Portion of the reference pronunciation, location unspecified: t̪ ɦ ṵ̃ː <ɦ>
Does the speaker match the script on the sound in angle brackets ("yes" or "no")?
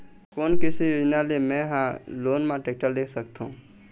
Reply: no